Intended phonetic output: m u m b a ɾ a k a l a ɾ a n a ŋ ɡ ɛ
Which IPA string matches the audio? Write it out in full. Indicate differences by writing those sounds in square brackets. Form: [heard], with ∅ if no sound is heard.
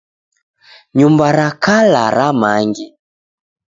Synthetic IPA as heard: [ɲ] u m b a ɾ a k a l a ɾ a [m] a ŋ ɡ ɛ